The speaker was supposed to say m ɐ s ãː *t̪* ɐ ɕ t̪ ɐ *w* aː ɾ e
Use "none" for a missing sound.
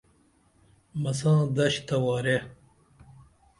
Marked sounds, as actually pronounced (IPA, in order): d̪, w

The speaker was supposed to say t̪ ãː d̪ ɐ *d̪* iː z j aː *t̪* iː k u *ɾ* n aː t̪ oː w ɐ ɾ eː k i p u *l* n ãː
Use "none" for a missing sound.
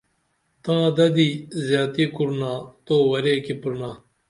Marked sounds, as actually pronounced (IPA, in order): d̪, t̪, ɾ, ɾ

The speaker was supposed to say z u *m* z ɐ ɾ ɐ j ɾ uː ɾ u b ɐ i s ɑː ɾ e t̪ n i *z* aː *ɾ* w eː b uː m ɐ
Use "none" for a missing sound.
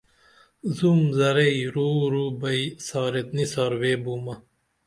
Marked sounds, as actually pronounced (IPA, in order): m, s, ɾ

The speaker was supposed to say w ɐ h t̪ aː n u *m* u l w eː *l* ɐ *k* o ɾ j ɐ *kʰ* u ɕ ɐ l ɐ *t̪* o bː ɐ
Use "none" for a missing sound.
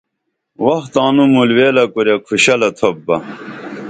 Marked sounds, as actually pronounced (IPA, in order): m, l, k, kʰ, t̪ʰ

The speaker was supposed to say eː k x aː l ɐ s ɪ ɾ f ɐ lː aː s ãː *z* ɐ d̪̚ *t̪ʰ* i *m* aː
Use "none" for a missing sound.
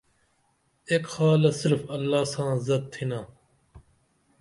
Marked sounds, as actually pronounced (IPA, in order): z, t̪ʰ, n

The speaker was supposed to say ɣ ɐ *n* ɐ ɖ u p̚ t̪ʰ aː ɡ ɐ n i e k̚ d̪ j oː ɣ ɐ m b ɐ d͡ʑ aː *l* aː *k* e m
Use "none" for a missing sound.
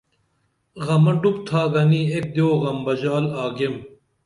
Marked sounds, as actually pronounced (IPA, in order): m, l, ɡ

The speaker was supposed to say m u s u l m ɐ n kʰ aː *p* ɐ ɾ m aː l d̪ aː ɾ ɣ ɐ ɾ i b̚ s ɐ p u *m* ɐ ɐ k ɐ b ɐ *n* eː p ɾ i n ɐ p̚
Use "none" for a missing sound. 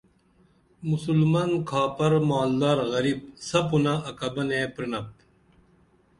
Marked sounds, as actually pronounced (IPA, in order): p, n, n

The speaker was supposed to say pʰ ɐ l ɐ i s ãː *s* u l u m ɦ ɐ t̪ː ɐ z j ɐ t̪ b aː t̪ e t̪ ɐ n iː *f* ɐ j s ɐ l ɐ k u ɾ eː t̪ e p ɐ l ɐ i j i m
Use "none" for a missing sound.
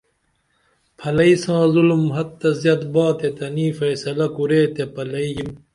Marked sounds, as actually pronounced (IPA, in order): z, f

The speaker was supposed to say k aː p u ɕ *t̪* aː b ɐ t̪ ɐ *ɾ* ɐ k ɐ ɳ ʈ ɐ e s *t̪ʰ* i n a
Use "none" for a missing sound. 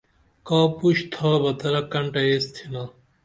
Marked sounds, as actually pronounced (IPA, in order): t̪ʰ, ɾ, t̪ʰ

